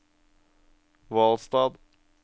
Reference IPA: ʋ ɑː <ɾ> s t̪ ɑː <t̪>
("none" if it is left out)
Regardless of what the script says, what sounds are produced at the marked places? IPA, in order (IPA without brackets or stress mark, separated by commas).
l, d̪